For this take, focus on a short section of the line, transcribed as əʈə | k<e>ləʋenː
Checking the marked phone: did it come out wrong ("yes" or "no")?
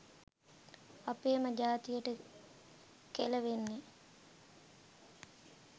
no